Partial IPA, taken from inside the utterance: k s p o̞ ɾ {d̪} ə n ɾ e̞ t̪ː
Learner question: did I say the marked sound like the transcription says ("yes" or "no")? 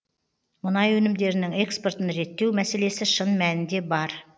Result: no